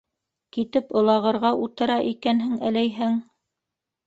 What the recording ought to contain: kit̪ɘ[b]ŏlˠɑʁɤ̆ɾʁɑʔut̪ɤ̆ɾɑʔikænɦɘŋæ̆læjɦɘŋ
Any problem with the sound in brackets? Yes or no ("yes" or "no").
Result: yes